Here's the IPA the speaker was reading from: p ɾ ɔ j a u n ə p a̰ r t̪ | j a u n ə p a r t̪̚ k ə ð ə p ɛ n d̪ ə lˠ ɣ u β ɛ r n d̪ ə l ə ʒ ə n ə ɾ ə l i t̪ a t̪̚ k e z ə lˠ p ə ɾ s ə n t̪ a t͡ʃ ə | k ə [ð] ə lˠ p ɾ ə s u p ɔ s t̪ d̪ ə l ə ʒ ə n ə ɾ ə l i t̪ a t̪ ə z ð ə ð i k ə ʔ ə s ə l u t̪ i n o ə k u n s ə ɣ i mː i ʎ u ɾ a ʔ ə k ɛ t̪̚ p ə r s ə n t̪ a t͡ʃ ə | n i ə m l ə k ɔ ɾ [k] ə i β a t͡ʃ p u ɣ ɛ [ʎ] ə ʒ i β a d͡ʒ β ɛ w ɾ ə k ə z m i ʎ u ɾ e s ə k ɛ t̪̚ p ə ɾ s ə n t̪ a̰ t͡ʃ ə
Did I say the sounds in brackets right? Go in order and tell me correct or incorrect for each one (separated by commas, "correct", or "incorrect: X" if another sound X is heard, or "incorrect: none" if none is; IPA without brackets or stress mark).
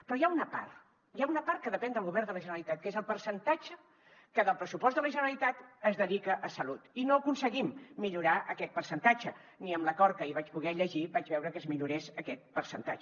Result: correct, correct, correct